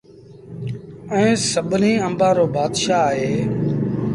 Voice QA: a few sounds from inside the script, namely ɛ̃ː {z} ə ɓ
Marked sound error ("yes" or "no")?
yes